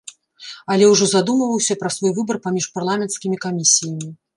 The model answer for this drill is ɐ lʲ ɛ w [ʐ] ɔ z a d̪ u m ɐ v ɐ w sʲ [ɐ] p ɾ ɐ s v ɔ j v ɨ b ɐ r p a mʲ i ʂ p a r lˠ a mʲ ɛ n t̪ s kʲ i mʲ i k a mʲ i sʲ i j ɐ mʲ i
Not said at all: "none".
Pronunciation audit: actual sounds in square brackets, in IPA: ʐ, ɐ

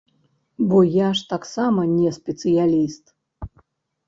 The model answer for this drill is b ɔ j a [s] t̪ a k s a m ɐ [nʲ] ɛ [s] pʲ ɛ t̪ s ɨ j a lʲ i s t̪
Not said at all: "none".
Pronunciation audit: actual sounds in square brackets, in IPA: ʂ, nʲ, s

